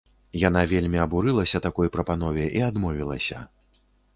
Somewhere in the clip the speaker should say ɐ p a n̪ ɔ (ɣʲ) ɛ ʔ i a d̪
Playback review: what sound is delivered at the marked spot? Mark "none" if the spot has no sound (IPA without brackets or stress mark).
vʲ